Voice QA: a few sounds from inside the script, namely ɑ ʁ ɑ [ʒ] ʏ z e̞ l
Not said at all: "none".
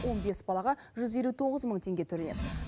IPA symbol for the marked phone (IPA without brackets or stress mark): ʒ